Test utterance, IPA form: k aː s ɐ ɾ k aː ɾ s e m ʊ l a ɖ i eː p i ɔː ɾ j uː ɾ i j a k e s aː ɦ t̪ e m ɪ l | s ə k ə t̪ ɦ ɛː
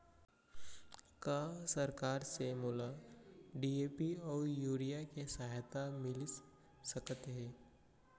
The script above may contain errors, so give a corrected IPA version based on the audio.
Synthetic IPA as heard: k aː s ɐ ɾ k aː ɾ s e m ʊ l a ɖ i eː p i ɔː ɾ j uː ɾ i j a k e s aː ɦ t̪ a m ɪ l | s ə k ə t̪ ɦ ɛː